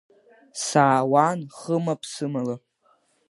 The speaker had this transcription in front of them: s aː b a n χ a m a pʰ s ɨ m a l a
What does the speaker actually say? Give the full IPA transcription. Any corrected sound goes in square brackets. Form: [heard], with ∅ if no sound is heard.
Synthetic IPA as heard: s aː [w] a n χ [ə] m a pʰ s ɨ m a l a